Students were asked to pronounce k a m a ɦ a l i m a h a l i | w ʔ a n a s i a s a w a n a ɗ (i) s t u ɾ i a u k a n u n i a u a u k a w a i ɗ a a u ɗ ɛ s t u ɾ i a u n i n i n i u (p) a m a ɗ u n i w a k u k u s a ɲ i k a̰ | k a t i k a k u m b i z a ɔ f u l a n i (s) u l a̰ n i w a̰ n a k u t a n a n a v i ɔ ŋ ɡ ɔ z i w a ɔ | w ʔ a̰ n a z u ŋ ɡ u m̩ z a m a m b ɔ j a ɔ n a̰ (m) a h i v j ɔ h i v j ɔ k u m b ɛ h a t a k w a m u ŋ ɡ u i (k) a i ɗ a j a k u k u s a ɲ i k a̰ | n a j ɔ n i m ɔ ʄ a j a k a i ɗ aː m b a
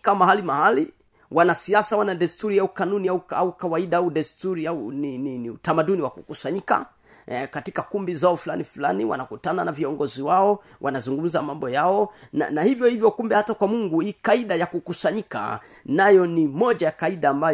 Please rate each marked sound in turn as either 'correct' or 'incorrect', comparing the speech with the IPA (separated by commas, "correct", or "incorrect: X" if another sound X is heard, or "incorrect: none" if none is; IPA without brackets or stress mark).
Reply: incorrect: ɛ, incorrect: t, incorrect: f, incorrect: n, correct